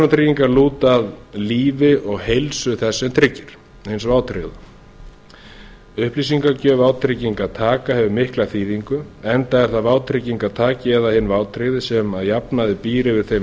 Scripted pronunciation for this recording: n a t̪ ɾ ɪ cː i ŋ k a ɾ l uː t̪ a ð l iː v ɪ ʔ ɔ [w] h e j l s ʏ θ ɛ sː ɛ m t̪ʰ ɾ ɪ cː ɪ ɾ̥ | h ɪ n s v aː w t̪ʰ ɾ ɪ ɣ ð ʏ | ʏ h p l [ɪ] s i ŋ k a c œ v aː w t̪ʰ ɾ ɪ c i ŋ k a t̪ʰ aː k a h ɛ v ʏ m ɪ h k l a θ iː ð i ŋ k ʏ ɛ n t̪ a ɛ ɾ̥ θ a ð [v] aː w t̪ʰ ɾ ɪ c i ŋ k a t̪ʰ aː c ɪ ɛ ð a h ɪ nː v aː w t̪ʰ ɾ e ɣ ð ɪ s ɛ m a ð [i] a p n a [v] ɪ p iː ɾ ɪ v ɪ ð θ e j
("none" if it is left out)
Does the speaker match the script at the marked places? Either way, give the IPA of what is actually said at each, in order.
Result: ɣ, i, v, j, ð

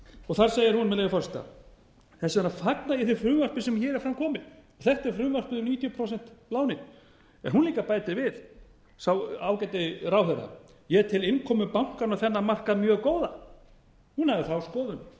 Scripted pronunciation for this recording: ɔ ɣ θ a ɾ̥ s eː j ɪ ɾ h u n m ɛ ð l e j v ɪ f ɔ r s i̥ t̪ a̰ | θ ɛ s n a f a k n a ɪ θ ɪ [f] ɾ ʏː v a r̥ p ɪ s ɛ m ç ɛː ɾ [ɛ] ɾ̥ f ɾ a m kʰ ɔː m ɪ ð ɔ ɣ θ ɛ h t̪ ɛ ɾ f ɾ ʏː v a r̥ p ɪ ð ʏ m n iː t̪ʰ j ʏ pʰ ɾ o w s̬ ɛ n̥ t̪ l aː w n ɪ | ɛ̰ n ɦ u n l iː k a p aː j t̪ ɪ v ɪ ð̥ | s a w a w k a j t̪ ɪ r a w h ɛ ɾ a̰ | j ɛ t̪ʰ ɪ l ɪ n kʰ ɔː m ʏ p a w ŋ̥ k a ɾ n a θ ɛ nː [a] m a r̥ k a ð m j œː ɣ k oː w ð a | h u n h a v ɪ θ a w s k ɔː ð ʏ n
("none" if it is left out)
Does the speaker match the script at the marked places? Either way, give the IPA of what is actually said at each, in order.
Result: f, ɛ, a

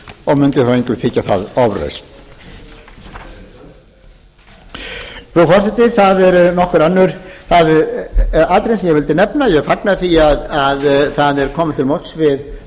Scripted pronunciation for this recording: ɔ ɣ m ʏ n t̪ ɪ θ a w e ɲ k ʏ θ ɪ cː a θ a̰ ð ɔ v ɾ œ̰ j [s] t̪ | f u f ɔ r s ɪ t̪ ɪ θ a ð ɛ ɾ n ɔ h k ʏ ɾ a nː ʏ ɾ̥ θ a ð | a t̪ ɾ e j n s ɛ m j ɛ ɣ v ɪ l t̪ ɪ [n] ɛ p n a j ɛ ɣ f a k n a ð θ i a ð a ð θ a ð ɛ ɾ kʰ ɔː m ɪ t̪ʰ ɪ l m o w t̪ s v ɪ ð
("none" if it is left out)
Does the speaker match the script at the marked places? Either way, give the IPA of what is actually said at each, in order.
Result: s, n

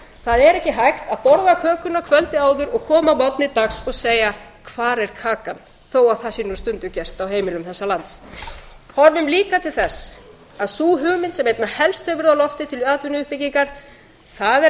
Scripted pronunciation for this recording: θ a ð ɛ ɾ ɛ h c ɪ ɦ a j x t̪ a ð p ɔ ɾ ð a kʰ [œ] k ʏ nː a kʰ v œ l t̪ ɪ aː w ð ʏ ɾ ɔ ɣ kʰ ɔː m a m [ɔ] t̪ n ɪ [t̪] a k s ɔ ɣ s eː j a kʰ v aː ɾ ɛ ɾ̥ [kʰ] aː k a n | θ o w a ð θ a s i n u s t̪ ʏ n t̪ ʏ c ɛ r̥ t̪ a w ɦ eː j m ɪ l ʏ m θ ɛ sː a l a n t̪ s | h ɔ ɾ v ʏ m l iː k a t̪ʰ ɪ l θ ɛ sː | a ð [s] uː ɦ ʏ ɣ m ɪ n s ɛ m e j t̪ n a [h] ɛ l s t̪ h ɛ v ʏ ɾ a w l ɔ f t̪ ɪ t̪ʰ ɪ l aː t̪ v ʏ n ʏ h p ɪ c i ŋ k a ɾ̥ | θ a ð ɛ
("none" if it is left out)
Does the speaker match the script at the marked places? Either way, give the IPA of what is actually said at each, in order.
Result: œː, ɔ, t̪, kʰ, s, h

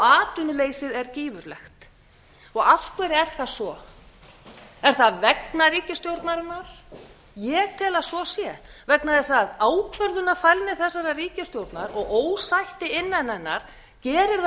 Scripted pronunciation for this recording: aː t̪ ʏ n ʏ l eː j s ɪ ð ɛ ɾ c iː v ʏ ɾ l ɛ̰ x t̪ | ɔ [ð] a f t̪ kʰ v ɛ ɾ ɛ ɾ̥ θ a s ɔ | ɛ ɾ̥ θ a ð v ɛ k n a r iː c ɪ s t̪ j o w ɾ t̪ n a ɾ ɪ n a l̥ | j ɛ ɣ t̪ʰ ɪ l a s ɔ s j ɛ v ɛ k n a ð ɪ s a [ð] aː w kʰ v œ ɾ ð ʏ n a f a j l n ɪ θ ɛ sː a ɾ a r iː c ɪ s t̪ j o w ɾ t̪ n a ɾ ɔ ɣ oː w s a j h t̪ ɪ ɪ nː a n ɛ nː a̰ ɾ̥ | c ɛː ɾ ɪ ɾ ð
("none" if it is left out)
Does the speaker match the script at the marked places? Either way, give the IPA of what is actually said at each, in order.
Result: ɣ, ð

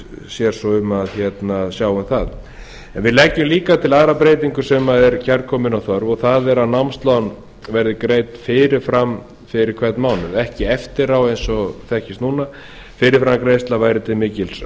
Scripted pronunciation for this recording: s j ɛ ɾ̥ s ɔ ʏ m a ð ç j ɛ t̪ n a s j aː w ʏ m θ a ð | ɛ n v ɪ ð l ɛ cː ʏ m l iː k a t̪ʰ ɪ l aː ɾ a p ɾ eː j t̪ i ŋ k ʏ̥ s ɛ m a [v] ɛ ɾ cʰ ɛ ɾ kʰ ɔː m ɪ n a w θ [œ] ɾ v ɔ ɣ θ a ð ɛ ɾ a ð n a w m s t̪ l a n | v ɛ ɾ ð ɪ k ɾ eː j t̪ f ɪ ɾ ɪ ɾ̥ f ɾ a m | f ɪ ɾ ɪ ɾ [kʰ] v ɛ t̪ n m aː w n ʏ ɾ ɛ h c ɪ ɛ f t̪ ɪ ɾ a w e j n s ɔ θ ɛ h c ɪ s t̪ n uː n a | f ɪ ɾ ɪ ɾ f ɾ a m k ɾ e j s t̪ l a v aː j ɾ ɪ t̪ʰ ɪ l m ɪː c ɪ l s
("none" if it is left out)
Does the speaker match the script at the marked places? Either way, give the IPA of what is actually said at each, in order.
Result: ð, œ, kʰ

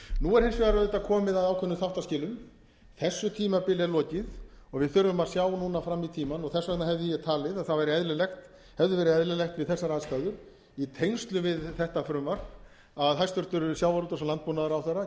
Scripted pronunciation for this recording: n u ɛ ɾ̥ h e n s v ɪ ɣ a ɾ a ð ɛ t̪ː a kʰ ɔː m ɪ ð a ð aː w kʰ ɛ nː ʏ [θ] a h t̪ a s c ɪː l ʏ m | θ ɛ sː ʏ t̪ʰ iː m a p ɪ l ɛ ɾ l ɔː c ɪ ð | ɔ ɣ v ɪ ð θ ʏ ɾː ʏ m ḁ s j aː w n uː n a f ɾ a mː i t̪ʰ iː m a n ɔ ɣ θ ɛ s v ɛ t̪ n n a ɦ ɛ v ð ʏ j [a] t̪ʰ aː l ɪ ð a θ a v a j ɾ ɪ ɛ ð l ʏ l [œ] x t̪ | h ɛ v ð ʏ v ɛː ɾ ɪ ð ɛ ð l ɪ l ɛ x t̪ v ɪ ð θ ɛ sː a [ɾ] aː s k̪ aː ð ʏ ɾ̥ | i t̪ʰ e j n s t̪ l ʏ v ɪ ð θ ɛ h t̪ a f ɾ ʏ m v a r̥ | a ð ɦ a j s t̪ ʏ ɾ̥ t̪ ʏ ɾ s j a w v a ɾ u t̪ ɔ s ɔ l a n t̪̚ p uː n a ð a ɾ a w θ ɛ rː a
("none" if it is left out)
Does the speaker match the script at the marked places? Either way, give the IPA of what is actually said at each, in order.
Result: θ, ɛ, ɛ, ɾ

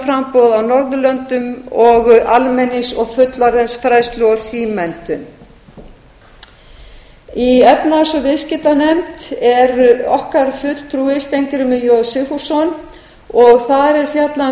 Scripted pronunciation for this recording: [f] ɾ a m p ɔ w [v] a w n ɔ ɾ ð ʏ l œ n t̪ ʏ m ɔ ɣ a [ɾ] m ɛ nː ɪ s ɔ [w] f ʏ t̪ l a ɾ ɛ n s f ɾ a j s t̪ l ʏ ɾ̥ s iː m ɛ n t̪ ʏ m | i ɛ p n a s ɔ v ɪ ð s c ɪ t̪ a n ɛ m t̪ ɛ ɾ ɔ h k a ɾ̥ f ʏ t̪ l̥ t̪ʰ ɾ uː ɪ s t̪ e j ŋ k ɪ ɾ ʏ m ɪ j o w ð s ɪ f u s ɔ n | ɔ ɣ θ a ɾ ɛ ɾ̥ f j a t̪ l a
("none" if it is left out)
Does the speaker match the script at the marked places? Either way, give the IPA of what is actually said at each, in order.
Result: f, ð, l, ɣ

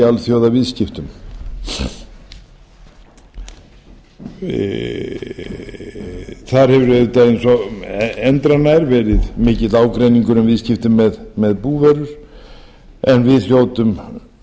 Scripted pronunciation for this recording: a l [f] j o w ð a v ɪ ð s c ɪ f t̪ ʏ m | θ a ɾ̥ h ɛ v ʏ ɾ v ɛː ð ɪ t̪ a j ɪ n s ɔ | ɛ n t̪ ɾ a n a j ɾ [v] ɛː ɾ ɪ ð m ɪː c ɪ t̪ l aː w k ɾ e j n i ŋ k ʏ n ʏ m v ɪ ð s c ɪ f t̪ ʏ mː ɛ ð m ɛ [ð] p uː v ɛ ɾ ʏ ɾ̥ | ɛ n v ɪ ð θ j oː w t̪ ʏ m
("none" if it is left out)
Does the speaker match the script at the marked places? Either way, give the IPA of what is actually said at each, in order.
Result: θ, v, ð

